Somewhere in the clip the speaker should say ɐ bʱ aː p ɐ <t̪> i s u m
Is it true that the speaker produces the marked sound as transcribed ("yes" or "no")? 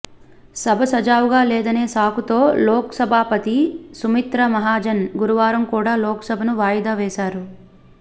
yes